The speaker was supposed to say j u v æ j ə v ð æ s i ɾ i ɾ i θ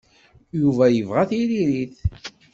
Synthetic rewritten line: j u v æ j ə v ʁ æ θ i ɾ i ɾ i θ